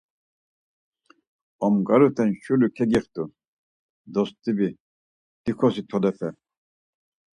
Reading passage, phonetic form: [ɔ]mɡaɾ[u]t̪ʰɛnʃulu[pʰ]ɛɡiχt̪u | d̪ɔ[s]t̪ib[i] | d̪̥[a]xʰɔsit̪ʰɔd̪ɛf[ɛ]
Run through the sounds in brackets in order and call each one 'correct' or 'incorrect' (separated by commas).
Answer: correct, correct, incorrect, correct, correct, incorrect, correct